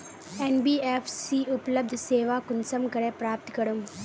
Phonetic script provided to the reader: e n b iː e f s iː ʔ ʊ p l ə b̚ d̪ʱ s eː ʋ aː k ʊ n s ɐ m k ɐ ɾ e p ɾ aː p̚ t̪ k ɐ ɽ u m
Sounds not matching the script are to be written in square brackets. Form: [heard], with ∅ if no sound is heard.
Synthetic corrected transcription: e n b iː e f s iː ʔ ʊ p l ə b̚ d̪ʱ s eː ʋ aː k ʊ n s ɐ m k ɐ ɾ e p ɾ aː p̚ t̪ k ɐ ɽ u m